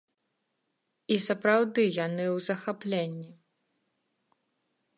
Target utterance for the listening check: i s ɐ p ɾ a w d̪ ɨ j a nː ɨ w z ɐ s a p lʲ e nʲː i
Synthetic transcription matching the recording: i s ɐ p ɾ a w d̪ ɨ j a n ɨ w z ɐ x a p lʲ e nʲː i

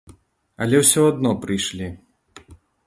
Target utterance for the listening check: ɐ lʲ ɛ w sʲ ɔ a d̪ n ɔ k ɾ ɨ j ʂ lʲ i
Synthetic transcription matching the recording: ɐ lʲ ɛ w sʲ ɔ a d̪ n ɔ p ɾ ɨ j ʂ lʲ i

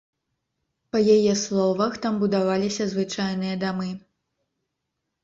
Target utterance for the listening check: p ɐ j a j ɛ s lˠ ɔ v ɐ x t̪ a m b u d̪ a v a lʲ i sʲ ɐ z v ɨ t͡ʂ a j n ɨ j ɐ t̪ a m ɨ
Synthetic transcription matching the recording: p ɐ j a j ɛ s lˠ ɔ v ɐ x t̪ a m b u d̪ a v a lʲ i sʲ ɐ z v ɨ t͡ʂ a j n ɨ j ɐ d̪ a m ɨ

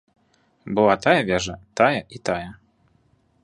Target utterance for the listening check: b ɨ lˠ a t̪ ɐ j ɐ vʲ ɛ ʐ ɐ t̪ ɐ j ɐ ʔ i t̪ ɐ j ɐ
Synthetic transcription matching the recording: b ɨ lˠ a t̪ a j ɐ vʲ ɛ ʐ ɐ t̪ a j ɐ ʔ i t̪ a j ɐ

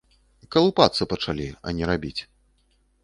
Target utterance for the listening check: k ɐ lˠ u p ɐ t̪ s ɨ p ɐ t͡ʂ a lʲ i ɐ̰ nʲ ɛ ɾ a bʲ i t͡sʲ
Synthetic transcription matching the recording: k ɐ lˠ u p a t̪ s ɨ p ɐ t͡ʂ a lʲ i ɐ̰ nʲ ɛ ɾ a bʲ i t͡sʲ

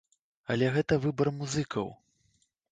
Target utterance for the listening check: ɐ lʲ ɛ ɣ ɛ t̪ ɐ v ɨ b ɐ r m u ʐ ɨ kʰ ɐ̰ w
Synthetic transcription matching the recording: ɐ lʲ ɛ ɣ ɛ t̪ ɐ v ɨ b ɐ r m u z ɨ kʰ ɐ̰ w

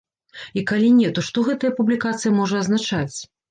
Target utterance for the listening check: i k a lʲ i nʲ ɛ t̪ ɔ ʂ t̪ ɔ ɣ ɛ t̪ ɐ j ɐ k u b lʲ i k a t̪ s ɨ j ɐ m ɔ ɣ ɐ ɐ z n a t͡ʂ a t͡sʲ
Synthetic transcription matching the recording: i k a lʲ i nʲ ɛ t̪ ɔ ʂ t̪ ɔ ɣ ɛ t̪ ɐ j ɐ p u b lʲ i k a t̪ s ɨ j ɐ m ɔ ʐ ɐ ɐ z n a t͡ʂ a t͡sʲ

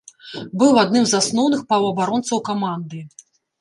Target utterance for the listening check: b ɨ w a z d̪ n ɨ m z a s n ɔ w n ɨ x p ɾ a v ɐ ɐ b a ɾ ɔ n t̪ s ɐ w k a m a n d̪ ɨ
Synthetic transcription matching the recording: b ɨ w a d̪ n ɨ m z a s n ɔ w n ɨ x p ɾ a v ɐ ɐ b a ɾ ɔ n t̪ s ɐ w k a m a n d̪ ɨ

